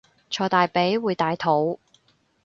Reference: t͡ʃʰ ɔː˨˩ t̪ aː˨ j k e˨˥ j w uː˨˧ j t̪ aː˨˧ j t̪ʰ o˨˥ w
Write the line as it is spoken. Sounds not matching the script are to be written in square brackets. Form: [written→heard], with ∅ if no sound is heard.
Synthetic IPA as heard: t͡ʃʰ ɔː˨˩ t̪ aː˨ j [k→p] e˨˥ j w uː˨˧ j t̪ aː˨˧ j t̪ʰ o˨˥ w